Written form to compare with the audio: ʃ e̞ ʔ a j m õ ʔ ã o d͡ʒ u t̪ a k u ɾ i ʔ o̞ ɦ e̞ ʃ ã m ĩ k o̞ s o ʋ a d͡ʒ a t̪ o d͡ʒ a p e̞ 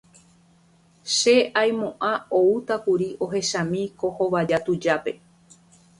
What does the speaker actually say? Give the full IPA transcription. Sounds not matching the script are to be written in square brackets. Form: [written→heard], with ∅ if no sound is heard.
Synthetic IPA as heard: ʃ e̞ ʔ a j m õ ʔ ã o [d͡ʒ→∅] u t̪ a k u ɾ i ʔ o̞ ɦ e̞ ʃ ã m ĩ k o̞ [s→h] o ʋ a d͡ʒ a t̪ [o→u] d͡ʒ a p e̞